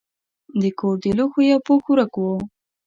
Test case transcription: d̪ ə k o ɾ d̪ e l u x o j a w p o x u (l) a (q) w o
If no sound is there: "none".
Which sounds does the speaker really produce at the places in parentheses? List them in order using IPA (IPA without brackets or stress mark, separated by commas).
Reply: ɾ, k